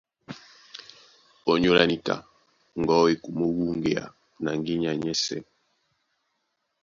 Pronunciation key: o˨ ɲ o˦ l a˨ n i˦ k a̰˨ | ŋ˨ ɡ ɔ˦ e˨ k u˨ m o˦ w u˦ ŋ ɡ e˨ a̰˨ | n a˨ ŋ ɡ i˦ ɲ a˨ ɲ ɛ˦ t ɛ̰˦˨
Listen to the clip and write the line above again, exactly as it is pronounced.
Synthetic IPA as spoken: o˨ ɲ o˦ l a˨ n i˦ k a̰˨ | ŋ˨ ɡ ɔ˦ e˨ k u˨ m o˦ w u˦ ŋ ɡ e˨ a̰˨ | n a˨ ŋ ɡ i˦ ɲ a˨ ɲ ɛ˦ s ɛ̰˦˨